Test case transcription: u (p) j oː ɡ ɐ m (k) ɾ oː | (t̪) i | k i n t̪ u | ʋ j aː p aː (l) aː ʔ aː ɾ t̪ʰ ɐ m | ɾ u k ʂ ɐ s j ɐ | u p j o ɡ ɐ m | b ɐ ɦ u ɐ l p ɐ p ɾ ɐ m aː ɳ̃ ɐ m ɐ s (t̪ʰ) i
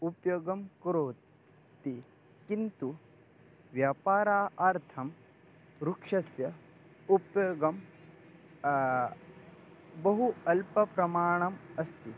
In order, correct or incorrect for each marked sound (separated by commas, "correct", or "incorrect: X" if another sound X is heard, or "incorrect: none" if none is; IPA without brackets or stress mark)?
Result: correct, correct, correct, incorrect: ɾ, incorrect: t̪